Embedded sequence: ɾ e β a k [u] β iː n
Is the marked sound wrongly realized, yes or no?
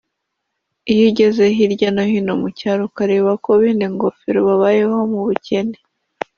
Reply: yes